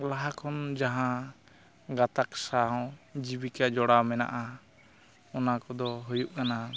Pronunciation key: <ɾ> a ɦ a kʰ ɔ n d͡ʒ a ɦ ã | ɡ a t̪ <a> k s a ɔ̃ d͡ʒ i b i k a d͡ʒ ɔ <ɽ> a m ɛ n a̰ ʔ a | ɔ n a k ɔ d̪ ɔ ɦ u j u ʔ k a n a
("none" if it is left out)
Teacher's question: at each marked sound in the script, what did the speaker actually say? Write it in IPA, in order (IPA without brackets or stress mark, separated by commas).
l, a, ɽ